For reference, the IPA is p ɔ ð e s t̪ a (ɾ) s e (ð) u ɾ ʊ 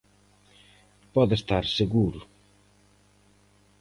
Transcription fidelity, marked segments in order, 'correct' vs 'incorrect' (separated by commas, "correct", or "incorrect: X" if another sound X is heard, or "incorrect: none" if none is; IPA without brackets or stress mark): correct, incorrect: ɣ